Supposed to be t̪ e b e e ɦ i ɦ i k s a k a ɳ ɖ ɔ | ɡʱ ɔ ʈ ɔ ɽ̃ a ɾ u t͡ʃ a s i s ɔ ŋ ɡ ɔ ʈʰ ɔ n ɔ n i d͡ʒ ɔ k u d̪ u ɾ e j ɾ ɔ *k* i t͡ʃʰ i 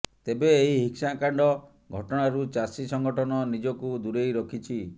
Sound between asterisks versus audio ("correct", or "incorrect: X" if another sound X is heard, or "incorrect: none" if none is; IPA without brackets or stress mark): incorrect: kʰ